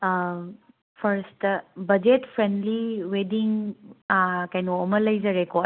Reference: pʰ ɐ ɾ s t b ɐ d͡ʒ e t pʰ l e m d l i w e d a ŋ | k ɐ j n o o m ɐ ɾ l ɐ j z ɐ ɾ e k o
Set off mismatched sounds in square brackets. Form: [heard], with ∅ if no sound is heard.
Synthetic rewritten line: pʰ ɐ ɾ s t b ɐ d͡ʒ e t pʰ [ɾ] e [n] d l i w e d [i] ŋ | k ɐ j n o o m ɐ [∅] l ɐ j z ɐ ɾ e k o